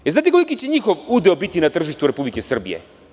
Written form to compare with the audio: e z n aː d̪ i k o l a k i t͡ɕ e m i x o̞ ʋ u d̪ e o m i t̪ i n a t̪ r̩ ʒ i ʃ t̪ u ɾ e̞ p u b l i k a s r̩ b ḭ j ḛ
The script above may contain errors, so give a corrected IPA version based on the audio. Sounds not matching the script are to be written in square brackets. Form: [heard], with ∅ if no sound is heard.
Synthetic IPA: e z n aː [t̪] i k o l [i] k i t͡ɕ e [ɲ] i x o̞ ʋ u d̪ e o [b] i t̪ i n a t̪ r̩ ʒ i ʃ t̪ u ɾ e̞ p u b l i k [e] s r̩ b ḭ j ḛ

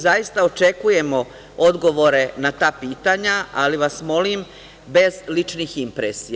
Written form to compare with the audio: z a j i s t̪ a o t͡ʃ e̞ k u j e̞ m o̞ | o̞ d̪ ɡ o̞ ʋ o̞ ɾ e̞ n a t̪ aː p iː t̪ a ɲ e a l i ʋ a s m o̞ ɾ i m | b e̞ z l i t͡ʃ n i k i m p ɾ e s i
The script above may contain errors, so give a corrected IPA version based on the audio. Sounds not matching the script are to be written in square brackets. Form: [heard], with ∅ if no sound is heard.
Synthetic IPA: z a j i s t̪ a o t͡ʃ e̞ k u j e̞ m o̞ | o̞ d̪ ɡ o̞ ʋ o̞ ɾ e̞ n a t̪ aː p iː t̪ a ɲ [a] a l i ʋ a s m o̞ [l] i m | b e̞ z l i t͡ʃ n i [x] i m p ɾ e s i

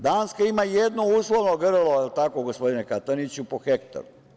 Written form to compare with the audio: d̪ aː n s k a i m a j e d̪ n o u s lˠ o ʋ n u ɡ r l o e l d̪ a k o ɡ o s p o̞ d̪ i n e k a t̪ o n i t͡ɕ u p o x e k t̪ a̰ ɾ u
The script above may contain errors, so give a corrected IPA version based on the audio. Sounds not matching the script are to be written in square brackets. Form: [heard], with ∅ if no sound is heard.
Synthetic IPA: d̪ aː n s k a i m a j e d̪ n o u s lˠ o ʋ n [o] ɡ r l o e l [t̪] a k o ɡ o s p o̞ d̪ i n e k a t̪ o n i t͡ɕ u p o x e k t̪ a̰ ɾ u

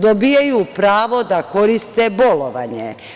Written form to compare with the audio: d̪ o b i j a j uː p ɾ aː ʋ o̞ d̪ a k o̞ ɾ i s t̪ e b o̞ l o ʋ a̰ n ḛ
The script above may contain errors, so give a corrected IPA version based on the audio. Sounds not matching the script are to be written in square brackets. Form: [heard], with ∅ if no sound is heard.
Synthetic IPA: d̪ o b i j a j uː p ɾ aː ʋ o̞ d̪ a k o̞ ɾ i s t̪ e b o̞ l o ʋ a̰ [ɲ] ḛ

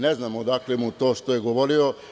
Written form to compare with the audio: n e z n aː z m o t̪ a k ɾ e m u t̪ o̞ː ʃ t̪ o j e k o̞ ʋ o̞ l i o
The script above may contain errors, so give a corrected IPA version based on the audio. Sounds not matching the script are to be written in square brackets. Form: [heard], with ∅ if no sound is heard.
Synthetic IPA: n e z n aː [∅] m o [d̪] a k [l] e m u t̪ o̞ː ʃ t̪ o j e [ɡ] o̞ ʋ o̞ [ɾ] i o

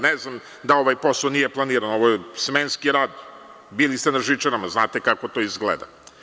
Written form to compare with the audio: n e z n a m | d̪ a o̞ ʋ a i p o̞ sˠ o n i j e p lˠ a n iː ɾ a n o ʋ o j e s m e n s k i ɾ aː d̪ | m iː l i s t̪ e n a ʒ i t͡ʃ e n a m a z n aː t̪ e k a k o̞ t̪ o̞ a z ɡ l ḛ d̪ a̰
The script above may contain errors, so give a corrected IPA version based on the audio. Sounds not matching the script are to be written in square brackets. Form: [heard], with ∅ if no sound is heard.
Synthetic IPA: n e z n a m | d̪ a o̞ ʋ a [j] p o̞ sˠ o n i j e p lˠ a n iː ɾ a n o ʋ o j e s m e n s k i ɾ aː d̪ | [b] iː l i s t̪ e n a ʒ i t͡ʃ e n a m a z n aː t̪ e k a k o̞ t̪ o̞ [i] z ɡ l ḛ d̪ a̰

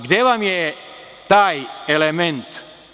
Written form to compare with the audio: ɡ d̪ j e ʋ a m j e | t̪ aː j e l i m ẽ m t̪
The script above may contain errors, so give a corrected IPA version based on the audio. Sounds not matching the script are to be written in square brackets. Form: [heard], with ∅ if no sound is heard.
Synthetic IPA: ɡ d̪ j e ʋ a m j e | t̪ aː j e l [e] m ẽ [n] t̪

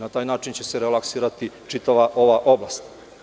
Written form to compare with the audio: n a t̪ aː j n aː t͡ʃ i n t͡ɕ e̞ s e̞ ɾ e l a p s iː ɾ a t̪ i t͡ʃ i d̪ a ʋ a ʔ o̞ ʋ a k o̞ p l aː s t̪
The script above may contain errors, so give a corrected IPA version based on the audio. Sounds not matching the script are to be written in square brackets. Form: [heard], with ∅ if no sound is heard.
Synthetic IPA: n a t̪ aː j n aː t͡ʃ i n t͡ɕ e̞ s e̞ ɾ e l a [k] s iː ɾ a t̪ i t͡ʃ i [t̪] a ʋ a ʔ o̞ ʋ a [ʔ] o̞ [b] l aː s t̪

